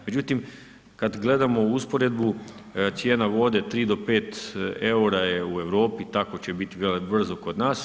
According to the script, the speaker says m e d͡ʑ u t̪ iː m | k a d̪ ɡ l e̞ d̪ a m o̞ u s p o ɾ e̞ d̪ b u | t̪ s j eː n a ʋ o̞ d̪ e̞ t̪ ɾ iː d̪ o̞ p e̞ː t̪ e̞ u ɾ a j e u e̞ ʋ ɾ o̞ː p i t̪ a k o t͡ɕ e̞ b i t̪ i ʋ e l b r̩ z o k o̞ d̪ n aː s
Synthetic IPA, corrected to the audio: m e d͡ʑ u t̪ i m | k a d̪ ɡ l e̞ d̪ a m o̞ u s p o ɾ e̞ d̪ b u | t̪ s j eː n a ʋ o̞ d̪ e̞ t̪ ɾ iː d̪ o̞ p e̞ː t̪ e̞ u ɾ a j e u e̞ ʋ ɾ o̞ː p i t̪ a k o t͡ɕ e̞ b i t̪ i ʋ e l b r̩ z o k o̞ d̪ n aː s